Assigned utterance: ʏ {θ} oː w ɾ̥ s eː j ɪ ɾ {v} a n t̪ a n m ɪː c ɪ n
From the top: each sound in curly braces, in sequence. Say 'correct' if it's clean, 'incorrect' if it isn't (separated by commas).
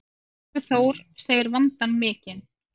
correct, correct